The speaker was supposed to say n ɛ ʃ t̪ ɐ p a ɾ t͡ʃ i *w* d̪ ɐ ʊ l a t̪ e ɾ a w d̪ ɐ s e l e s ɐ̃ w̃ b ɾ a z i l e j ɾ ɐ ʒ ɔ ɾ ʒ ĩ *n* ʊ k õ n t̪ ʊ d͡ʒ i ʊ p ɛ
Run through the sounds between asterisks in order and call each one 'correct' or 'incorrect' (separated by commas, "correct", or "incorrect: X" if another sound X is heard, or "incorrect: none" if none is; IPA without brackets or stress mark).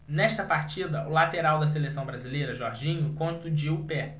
incorrect: none, incorrect: ɲ